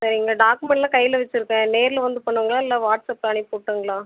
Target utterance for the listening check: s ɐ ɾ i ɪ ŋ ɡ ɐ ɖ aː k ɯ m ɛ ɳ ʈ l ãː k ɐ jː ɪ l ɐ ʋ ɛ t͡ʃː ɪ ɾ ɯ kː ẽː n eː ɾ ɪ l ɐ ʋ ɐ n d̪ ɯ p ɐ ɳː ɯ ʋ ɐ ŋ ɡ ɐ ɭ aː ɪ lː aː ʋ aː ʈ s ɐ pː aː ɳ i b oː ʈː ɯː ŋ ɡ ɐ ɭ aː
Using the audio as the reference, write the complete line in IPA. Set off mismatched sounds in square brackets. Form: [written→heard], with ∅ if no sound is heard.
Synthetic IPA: s ɐ ɾ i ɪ ŋ ɡ ɐ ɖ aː k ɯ m ɛ ɳ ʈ l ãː k ɐ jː ɪ l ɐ ʋ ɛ t͡ʃː ɪ ɾ ɯ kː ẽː n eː ɾ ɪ l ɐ ʋ ɐ n d̪ ɯ p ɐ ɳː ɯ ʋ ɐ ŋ ɡ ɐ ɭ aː ɪ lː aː ʋ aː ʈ s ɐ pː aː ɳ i [b→p] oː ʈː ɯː ŋ ɡ ɐ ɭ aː